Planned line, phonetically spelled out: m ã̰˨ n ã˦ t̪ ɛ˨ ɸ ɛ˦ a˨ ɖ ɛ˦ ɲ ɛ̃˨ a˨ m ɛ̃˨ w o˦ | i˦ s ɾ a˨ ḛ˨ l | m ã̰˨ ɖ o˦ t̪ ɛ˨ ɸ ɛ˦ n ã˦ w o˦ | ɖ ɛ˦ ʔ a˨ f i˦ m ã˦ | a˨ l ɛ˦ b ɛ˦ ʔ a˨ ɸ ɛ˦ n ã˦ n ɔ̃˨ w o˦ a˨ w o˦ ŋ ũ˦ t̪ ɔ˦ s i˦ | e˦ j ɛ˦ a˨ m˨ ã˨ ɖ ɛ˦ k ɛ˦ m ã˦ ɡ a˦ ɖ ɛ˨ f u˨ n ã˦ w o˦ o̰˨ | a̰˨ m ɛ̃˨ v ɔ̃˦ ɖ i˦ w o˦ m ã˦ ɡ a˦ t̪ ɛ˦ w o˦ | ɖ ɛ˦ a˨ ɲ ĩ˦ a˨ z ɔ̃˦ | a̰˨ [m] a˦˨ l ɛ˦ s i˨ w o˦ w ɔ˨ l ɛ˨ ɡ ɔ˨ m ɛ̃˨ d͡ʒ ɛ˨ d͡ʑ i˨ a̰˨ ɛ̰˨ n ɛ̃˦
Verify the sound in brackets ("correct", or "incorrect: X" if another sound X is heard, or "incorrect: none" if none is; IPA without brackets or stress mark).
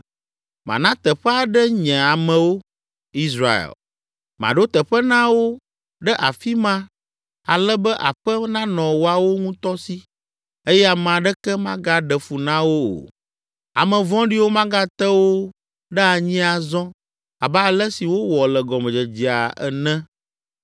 incorrect: b